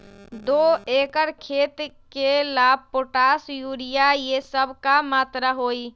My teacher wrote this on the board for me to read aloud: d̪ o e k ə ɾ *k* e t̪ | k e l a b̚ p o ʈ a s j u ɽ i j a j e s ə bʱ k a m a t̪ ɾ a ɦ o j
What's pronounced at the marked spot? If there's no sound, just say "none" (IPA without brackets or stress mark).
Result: kʰ